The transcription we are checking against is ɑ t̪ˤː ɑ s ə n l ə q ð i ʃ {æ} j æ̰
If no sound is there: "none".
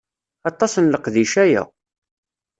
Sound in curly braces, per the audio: æ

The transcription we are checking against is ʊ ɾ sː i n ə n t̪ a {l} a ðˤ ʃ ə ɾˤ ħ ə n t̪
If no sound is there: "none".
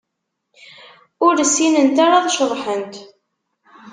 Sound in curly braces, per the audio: ɾ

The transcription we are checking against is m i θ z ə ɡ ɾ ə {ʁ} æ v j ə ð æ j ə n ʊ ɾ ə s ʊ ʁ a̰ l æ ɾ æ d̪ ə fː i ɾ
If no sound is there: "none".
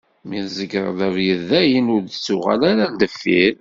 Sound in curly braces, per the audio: ð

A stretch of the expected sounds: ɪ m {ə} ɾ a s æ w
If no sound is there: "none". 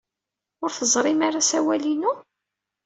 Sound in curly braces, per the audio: a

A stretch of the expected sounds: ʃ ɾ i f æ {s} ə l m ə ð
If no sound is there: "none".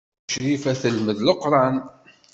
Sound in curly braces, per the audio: θ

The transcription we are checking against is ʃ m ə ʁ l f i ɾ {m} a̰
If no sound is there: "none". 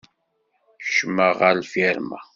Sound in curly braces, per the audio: m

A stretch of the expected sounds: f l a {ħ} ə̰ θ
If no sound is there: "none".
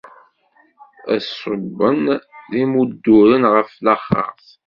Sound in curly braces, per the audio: χ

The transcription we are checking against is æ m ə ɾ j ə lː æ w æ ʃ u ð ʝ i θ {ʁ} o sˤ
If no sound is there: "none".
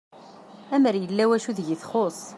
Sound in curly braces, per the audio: χ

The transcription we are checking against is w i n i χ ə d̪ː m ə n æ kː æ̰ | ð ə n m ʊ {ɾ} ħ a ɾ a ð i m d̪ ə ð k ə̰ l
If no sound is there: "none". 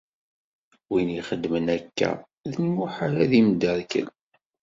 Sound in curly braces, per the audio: none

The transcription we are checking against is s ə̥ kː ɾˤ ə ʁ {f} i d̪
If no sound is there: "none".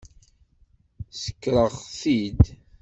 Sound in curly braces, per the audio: θ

